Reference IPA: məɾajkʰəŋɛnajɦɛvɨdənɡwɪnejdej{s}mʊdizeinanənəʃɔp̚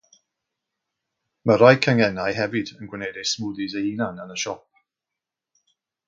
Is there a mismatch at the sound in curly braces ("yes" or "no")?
no